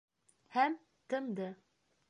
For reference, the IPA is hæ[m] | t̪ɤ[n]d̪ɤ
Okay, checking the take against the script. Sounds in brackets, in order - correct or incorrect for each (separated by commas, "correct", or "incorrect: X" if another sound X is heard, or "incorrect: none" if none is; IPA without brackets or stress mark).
correct, incorrect: m